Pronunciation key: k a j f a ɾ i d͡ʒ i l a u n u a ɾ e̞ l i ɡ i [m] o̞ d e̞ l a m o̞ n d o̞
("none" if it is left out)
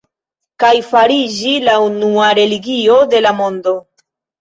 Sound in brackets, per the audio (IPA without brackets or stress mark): none